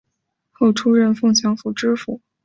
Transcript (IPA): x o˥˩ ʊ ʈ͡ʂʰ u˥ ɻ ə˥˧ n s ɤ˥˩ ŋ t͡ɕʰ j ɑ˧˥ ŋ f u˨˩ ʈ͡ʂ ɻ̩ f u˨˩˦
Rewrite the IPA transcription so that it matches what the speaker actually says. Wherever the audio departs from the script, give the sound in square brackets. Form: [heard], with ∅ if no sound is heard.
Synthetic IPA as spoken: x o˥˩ ʊ ʈ͡ʂʰ u˥ ɻ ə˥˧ n [f] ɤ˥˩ ŋ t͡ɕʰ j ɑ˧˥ ŋ f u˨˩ ʈ͡ʂ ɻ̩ f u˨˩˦